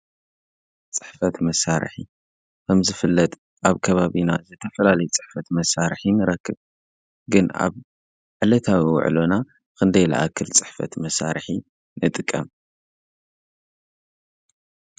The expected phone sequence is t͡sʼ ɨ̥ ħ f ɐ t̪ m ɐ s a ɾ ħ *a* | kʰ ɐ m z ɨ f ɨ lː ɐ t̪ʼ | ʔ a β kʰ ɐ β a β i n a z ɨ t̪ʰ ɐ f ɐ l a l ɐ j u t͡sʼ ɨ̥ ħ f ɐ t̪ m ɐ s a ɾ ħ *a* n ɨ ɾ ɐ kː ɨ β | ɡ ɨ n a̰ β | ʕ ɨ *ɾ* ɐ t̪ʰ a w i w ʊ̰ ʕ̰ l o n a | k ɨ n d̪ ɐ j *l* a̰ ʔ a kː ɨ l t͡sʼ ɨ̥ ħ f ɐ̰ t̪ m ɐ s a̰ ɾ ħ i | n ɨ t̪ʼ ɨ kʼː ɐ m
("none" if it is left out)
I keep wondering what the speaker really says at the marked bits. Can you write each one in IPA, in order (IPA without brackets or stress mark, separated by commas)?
i, i, l, l